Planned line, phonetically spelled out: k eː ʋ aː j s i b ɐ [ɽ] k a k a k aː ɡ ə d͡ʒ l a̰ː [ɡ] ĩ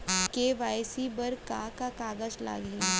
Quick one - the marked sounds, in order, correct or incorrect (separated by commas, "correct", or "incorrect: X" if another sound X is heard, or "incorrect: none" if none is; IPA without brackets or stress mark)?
incorrect: ɾ, correct